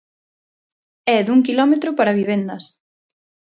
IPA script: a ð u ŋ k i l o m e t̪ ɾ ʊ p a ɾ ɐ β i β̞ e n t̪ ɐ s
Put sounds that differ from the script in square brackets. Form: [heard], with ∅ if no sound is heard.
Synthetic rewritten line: [ɛ] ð u ŋ k i l [ɔ] m e t̪ ɾ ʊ p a ɾ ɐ β i β̞ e n [d̪] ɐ s